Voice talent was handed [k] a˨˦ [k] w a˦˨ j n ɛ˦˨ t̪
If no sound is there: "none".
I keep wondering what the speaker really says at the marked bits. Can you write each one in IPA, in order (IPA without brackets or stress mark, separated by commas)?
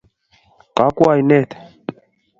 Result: k, k